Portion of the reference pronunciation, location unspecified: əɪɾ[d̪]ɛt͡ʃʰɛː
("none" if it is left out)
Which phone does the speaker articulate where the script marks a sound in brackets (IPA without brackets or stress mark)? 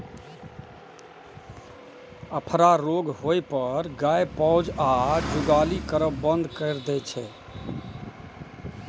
d̪